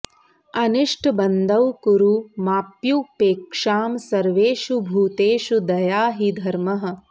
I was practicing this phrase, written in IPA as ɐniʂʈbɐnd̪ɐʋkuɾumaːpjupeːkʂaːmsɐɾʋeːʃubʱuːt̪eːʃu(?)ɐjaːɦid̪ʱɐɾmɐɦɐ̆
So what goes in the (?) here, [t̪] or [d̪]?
d̪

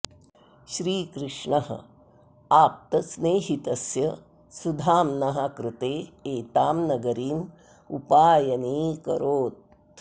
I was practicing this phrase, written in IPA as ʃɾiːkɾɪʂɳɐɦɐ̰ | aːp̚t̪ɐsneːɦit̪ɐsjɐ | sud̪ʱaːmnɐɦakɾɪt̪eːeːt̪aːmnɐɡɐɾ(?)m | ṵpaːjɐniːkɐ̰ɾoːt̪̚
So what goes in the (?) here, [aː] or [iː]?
iː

